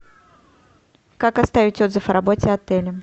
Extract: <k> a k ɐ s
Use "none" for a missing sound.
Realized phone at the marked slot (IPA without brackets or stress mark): k